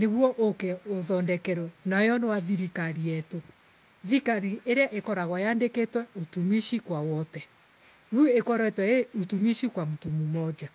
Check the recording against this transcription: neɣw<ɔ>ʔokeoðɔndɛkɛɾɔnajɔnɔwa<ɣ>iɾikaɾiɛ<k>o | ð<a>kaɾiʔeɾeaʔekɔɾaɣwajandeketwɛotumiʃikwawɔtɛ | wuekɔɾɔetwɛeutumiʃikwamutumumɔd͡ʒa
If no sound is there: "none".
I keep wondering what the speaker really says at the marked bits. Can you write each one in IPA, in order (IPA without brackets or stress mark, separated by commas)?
ɔ, ð, t, i